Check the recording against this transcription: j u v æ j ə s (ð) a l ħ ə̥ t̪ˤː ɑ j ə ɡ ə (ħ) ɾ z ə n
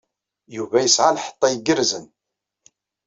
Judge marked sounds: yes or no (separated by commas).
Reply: no, no